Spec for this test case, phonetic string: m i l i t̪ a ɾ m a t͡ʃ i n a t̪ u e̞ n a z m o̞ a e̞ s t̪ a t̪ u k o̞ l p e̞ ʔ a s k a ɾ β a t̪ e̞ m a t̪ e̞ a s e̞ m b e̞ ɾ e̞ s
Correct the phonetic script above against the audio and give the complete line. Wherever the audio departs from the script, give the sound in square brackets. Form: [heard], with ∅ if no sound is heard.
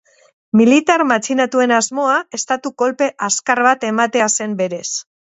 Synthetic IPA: m i l i t̪ a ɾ m a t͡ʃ i n a t̪ u e̞ n a z m o̞ a e̞ s t̪ a t̪ u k o̞ l p e̞ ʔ a s k a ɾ β a t̪ e̞ m a t̪ e̞ a s e̞ m b e̞ ɾ e̞ s

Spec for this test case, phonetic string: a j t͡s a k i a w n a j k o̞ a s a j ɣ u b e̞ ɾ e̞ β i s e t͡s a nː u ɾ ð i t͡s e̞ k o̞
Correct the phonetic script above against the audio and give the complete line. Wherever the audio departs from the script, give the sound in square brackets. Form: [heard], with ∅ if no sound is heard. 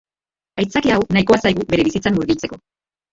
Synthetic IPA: a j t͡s a k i a w n a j k o̞ a s a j ɣ u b e̞ ɾ e̞ β i s [i] t͡s a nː u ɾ [ɣ] i t͡s e̞ k o̞

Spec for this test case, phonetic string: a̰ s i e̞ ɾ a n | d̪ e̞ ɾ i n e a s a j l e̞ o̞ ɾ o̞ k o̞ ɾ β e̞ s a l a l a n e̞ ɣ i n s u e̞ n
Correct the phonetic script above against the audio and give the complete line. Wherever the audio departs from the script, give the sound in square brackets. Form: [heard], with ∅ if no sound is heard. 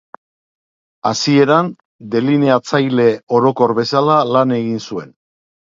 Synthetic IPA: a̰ s i e̞ ɾ a n | d̪ e̞ [l] i n e a [t͡s] a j l e̞ o̞ ɾ o̞ k o̞ ɾ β e̞ s a l a l a n e̞ ɣ i n s u e̞ n

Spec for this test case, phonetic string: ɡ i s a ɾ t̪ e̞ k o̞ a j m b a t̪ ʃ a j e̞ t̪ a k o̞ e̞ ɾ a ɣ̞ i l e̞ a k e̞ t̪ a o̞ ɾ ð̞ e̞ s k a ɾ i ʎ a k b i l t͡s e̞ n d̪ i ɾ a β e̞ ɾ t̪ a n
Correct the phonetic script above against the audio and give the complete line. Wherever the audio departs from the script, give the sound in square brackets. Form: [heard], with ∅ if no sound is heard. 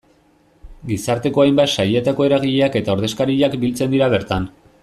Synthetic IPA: ɡ i s a ɾ t̪ e̞ k o̞ a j m b a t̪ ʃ a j e̞ t̪ a k o̞ e̞ ɾ a ɣ̞ i [ʎ] e̞ a k e̞ t̪ a o̞ ɾ ð̞ e̞ s k a ɾ i ʎ a k b i l t͡s e̞ n d̪ i ɾ a β e̞ ɾ t̪ a n

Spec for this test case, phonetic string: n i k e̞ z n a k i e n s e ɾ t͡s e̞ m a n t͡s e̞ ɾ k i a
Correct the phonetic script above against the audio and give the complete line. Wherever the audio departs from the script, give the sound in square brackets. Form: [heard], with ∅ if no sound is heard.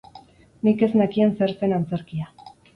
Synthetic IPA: n i k e̞ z n a k i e n s e ɾ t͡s e̞ [n] a n t͡s e̞ ɾ k i a

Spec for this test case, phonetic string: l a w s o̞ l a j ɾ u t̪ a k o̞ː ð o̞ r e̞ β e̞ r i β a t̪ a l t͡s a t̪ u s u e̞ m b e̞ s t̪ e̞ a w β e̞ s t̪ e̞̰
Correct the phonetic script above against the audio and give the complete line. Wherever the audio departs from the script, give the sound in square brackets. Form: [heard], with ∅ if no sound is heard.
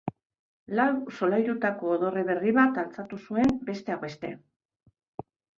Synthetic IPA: l a w s o̞ l a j ɾ u t̪ a k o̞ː ð o̞ r e̞ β e̞ r i β a t̪ a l t͡s a t̪ u s u e̞ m b e̞ s t̪ e̞ a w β e̞ s t̪ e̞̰

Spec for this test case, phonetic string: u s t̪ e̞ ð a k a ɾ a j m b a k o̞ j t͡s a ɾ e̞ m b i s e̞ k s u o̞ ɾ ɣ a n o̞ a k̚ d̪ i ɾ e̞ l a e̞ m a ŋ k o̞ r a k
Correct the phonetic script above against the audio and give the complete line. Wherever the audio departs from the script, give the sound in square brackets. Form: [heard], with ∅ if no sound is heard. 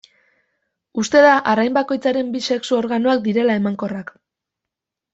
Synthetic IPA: u s t̪ e̞ ð a [ʔ] a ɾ a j m b a k o̞ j t͡s a ɾ e̞ m b i s e̞ k s u o̞ ɾ ɣ a n o̞ a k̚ d̪ i ɾ e̞ l a e̞ m a ŋ k o̞ r a k

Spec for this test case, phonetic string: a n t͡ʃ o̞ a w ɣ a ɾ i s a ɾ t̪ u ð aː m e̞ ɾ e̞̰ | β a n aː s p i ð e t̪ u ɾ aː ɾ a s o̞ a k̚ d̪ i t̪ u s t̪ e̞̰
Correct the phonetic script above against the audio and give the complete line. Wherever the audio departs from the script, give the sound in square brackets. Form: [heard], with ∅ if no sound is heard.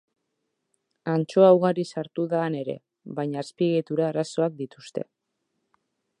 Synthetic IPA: a n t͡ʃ o̞ a w ɣ a ɾ i s a ɾ t̪ u ð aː [n] e̞ ɾ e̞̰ | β a [ɲ] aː s p i [ɣ] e t̪ u ɾ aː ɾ a s o̞ a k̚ d̪ i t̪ u s t̪ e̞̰

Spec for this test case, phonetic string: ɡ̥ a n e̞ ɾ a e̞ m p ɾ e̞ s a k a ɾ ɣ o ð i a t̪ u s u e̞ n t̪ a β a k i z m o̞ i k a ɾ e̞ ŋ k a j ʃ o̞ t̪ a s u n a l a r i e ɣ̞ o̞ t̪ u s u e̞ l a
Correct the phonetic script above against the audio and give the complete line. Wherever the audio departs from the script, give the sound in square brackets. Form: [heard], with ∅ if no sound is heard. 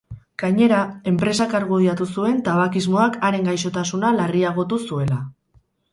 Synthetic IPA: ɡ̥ a [ɲ] e̞ ɾ a e̞ m p ɾ e̞ s a k a ɾ ɣ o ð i a t̪ u s u e̞ n t̪ a β a k i z m o̞ [a] k a ɾ e̞ ŋ [ɡ] a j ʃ o̞ t̪ a s u n a l a r i [a] ɣ̞ o̞ t̪ u s u e̞ l a

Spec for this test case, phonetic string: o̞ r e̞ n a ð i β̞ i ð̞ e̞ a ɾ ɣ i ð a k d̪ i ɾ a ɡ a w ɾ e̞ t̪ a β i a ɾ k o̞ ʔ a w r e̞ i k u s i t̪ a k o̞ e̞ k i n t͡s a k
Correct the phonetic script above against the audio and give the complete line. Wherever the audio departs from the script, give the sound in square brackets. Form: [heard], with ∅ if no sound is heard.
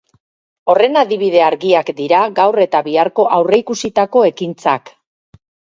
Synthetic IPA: o̞ r e̞ n a ð i β̞ i ð̞ e̞ a ɾ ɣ i [∅] a k d̪ i ɾ a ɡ a w [r] e̞ t̪ a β i a ɾ k o̞ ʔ a w r e̞ i k u s i t̪ a k o̞ e̞ k i n t͡s a k

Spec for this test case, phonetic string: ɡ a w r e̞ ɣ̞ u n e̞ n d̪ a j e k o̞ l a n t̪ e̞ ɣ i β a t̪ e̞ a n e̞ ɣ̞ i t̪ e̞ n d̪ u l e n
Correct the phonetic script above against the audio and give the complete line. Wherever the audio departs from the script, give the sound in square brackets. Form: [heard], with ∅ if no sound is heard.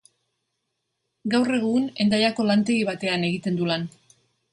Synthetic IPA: ɡ a w r e̞ ɣ̞ u n e̞ n d̪ a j [a] k o̞ l a n t̪ e̞ ɣ i β a t̪ e̞ a n e̞ ɣ̞ i t̪ e̞ n d̪ u l [a] n

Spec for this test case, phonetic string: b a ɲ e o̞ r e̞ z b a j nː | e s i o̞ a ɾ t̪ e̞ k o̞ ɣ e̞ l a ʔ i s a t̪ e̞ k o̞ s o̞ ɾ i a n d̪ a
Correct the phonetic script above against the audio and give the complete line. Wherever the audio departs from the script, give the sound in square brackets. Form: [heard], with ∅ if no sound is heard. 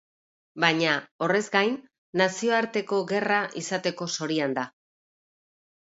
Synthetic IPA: b a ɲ [a] o̞ r e̞ z [ɡ] a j nː | [a] s i o̞ a ɾ t̪ e̞ k o̞ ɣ e̞ [r] a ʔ i s a t̪ e̞ k o̞ s o̞ ɾ i a n d̪ a

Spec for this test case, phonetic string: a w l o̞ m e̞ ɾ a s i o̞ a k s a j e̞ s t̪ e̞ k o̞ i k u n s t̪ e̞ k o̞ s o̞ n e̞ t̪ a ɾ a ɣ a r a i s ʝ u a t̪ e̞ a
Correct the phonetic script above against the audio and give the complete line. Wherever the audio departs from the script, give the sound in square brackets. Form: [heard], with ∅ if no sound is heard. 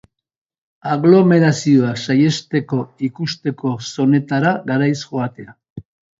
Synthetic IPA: a [ɣ] l o̞ m e̞ ɾ a s i o̞ a k s a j e̞ s t̪ e̞ k o̞ i k u [∅] s t̪ e̞ k o̞ s o̞ n e̞ t̪ a ɾ a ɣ a [ɾ] a [j] s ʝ [o] a t̪ e̞ a

